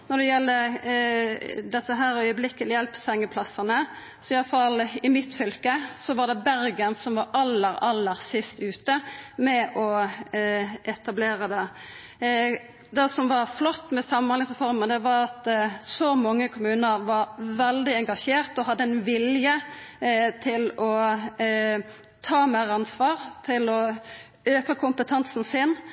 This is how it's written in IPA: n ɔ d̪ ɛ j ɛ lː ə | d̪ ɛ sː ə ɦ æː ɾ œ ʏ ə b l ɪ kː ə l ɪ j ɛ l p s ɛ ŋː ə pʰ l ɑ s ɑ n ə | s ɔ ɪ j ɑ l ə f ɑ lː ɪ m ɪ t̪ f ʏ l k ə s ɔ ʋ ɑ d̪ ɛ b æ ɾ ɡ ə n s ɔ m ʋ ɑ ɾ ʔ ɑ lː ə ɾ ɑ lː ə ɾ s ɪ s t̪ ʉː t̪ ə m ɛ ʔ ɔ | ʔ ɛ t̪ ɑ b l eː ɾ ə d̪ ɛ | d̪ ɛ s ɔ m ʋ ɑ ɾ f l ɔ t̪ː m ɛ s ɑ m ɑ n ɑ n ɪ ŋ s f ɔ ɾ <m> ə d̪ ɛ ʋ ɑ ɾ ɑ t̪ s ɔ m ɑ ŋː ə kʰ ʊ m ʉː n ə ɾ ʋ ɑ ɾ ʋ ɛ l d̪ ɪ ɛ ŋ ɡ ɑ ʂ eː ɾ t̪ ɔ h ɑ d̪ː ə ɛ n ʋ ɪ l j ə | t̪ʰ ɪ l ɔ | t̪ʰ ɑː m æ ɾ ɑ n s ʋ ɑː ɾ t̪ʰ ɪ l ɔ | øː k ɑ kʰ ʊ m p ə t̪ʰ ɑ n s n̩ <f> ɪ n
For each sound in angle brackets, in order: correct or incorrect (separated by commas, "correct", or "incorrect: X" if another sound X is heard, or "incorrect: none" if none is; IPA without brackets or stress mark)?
correct, incorrect: s